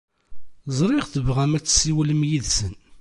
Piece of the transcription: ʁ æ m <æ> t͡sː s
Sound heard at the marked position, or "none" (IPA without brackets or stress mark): æ